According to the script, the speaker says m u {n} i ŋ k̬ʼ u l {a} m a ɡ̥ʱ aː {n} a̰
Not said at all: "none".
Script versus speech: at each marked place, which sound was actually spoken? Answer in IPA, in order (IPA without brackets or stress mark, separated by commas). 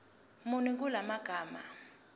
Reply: n, a, m